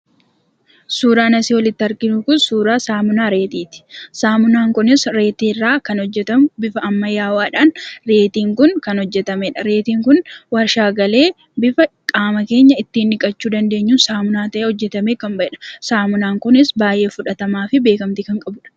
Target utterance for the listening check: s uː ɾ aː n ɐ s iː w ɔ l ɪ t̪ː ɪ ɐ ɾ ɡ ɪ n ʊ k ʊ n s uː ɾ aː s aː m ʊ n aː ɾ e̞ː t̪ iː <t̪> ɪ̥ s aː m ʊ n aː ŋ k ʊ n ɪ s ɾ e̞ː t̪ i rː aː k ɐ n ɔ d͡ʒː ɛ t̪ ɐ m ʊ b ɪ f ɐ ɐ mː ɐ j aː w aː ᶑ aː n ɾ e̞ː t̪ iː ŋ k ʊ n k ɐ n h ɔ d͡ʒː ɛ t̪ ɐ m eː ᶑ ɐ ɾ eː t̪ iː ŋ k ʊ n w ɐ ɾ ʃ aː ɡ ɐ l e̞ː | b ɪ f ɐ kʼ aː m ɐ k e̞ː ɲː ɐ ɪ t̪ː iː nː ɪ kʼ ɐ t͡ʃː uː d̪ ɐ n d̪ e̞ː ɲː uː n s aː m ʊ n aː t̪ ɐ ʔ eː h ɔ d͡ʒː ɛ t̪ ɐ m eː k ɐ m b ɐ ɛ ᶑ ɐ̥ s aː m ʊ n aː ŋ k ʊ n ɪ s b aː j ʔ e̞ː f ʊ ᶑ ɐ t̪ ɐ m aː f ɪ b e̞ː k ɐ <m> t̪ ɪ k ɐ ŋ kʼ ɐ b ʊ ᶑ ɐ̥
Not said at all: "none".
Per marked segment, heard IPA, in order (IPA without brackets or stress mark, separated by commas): t̪, m